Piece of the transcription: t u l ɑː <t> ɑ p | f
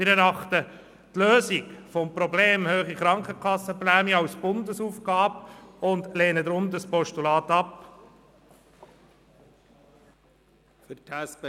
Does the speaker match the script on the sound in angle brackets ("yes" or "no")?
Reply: yes